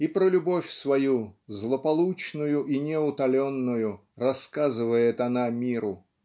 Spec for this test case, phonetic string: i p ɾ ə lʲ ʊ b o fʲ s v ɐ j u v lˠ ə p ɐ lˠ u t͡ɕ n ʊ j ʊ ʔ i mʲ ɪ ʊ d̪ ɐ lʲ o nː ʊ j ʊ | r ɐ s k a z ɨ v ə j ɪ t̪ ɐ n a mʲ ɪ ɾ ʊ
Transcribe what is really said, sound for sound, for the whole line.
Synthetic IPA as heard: i p ɾ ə lʲ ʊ b o fʲ s v ɐ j u z lˠ ə p ɐ lˠ u t͡ɕ n ʊ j ʊ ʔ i nʲ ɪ ʊ t̪ ɐ lʲ o nː ʊ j ʊ | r ɐ s k a z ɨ v ə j ɪ t̪ ɐ n a mʲ i ɾ ʊ